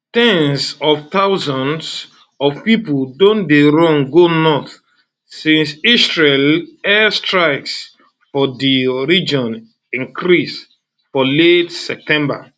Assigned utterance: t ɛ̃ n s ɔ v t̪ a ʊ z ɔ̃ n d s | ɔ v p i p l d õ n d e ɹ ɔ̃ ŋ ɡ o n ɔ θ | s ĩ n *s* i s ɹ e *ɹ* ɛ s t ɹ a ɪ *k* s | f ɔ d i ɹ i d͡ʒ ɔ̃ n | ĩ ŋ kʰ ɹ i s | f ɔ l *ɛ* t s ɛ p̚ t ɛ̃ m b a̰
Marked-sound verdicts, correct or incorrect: correct, incorrect, correct, incorrect

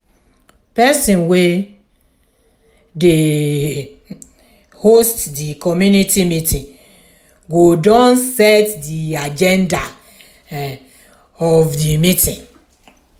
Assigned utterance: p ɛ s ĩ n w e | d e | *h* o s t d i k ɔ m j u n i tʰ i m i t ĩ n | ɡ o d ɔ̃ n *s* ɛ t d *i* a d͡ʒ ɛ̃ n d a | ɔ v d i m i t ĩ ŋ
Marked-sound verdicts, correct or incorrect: correct, correct, correct

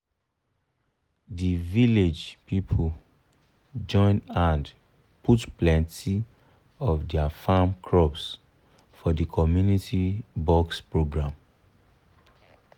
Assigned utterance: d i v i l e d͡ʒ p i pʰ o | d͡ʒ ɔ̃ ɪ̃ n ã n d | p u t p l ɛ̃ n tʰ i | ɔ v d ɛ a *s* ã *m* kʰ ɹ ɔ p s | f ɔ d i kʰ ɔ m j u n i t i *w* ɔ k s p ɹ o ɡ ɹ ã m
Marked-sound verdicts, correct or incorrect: incorrect, correct, incorrect

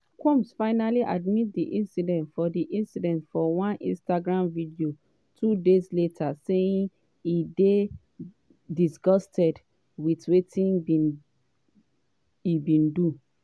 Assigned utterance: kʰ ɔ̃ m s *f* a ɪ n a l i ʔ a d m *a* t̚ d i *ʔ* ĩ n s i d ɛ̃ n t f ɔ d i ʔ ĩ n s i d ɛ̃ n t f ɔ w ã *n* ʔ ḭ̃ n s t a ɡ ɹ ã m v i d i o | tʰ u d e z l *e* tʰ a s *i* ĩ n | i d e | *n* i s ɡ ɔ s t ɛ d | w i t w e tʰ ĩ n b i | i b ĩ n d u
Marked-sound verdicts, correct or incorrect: correct, incorrect, correct, correct, correct, incorrect, incorrect

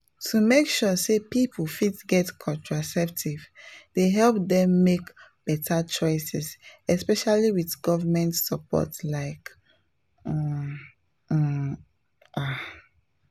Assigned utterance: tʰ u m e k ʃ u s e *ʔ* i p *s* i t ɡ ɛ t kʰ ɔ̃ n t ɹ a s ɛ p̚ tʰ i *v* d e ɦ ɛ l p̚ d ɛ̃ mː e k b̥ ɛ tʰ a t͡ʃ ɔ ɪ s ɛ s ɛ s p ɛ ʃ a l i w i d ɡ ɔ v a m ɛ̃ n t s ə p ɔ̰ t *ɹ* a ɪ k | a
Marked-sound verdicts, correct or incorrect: incorrect, incorrect, correct, incorrect

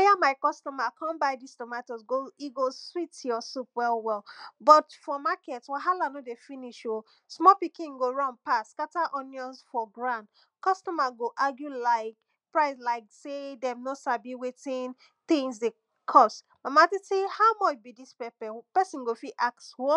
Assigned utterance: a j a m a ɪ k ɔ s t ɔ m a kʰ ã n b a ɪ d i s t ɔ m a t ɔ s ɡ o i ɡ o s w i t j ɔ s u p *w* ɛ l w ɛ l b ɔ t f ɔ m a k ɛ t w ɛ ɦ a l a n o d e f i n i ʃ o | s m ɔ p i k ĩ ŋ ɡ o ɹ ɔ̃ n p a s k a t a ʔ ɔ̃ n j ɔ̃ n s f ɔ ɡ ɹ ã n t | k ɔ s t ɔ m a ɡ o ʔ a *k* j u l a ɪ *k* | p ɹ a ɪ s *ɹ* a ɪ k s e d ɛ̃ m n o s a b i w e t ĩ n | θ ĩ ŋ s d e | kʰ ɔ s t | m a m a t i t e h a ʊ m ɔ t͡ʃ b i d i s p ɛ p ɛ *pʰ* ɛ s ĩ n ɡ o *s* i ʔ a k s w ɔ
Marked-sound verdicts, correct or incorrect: correct, incorrect, correct, incorrect, incorrect, incorrect

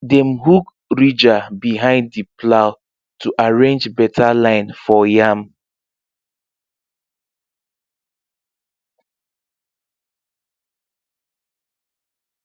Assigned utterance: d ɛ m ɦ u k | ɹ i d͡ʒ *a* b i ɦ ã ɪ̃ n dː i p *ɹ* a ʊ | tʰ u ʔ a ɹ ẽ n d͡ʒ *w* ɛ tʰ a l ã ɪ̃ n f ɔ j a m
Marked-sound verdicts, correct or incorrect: correct, incorrect, incorrect

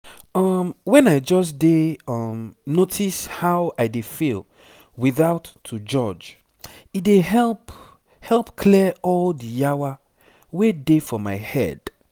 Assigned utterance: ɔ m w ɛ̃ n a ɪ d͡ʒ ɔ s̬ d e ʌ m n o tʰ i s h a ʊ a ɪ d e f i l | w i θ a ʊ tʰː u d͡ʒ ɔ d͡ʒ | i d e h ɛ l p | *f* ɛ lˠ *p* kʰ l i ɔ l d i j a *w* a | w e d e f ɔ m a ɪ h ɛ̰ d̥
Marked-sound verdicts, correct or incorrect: incorrect, correct, correct

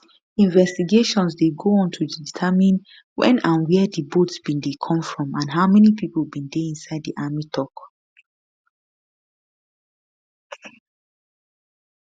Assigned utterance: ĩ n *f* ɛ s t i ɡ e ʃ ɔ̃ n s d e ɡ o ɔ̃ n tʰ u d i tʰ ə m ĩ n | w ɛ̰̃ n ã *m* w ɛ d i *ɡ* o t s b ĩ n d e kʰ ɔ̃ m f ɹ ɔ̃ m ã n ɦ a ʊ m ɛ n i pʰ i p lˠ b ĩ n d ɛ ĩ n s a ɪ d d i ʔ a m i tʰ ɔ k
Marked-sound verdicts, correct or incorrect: incorrect, incorrect, incorrect

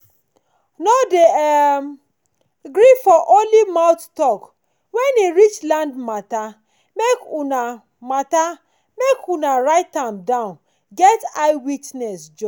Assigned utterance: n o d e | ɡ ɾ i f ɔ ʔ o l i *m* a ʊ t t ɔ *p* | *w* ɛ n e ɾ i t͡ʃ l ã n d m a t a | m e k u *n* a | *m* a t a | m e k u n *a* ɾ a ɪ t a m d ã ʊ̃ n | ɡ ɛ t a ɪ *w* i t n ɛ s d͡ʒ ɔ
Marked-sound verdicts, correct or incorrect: correct, incorrect, correct, correct, correct, correct, correct

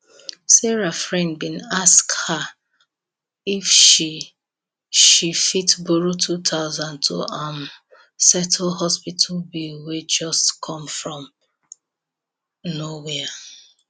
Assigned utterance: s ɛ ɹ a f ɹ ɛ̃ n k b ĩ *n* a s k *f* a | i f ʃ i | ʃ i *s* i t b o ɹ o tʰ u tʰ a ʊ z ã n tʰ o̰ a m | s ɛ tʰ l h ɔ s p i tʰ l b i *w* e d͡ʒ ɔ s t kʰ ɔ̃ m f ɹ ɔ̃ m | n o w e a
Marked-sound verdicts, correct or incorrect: correct, incorrect, incorrect, correct

